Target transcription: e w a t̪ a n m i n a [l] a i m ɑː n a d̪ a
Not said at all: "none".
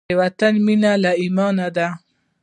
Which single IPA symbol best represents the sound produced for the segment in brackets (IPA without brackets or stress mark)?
l